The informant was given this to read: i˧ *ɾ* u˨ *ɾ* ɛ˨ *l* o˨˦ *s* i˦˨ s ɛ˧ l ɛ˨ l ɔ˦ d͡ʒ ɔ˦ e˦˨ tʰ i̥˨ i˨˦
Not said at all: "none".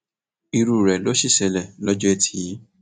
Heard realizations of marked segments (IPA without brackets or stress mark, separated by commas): ɾ, ɾ, l, ʃ